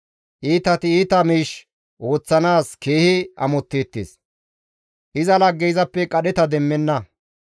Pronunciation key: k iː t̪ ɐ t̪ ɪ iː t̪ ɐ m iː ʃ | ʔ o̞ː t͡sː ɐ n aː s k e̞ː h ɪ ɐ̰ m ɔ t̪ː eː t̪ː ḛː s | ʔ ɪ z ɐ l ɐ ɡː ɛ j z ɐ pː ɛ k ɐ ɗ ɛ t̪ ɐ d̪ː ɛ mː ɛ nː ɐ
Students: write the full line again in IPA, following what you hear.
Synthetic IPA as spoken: ʔ iː t̪ ɐ t̪ ɪ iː t̪ ɐ m iː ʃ | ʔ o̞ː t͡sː ɐ n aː s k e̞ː h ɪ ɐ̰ m ɔ t̪ː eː t̪ː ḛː s | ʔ ɪ z ɐ l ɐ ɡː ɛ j z ɐ pː ɛ kʼ ɐ ɗ ɛ t̪ ɐ d̪ ɛ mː ɛ nː ɐ